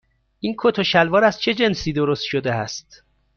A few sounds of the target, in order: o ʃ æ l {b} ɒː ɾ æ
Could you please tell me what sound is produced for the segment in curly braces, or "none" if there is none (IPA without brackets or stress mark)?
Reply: v